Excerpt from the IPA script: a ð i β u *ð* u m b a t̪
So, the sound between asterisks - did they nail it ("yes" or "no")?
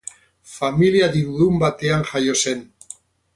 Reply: yes